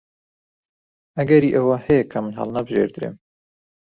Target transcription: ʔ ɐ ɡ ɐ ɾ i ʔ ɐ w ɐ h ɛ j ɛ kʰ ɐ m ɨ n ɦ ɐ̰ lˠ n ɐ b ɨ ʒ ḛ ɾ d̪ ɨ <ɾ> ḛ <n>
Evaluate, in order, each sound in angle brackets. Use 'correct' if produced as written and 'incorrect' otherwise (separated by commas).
correct, incorrect